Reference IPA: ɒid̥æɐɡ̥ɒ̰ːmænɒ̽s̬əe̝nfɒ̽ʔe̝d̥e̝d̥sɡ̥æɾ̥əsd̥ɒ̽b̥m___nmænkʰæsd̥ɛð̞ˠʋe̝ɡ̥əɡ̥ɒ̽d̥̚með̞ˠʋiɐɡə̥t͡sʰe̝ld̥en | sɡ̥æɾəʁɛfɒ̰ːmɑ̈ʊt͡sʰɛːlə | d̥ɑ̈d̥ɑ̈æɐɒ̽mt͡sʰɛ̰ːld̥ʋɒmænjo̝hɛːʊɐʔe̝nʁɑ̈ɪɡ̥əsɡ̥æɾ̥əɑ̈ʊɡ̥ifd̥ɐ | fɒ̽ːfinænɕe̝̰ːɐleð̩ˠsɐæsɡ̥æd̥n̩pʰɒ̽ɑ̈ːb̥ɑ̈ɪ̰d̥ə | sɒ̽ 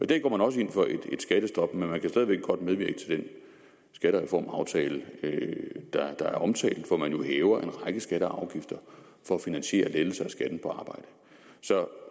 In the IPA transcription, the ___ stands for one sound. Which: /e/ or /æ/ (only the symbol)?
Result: e